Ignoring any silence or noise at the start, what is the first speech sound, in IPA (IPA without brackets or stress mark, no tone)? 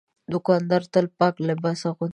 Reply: d̪